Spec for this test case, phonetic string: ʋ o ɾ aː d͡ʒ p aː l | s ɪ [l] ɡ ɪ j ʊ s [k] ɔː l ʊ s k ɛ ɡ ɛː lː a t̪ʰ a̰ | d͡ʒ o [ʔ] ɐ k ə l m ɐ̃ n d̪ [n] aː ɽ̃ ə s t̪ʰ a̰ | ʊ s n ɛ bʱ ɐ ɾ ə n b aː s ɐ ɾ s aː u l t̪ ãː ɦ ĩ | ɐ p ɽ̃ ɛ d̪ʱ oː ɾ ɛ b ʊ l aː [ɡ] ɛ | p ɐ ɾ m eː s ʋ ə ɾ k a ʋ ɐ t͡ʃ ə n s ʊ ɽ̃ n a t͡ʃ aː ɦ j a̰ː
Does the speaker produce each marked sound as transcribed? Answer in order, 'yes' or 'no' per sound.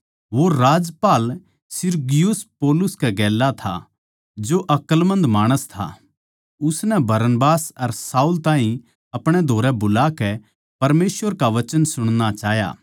no, no, yes, no, no

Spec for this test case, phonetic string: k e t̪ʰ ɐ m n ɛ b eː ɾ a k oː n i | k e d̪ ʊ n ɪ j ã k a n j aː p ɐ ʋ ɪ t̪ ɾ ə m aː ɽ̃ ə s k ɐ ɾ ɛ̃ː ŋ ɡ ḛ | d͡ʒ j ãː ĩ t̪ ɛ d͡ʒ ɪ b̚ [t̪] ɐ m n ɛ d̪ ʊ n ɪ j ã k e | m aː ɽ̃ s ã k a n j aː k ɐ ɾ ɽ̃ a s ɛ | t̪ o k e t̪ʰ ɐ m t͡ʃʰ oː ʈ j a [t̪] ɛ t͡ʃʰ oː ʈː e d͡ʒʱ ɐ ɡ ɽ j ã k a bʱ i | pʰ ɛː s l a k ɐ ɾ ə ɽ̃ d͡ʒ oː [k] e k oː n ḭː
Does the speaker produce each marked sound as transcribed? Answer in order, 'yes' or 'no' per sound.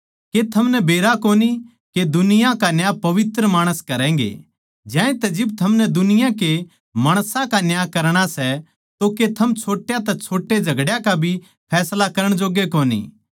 no, yes, no

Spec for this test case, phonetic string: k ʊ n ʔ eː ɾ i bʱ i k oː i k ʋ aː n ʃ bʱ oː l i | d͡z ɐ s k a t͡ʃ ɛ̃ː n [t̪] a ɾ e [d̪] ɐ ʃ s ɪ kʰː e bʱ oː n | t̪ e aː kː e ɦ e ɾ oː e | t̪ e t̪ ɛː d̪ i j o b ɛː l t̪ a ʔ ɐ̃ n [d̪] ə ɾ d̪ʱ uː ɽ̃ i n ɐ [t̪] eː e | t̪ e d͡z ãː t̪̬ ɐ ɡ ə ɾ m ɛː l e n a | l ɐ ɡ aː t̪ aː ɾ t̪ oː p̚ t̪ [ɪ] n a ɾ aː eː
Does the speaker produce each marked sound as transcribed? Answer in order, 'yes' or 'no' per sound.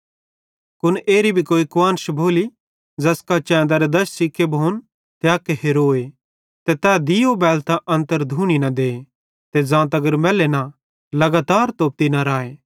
no, yes, no, no, no

